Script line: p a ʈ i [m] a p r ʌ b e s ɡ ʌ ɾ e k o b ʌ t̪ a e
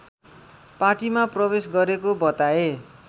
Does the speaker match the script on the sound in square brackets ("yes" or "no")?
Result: yes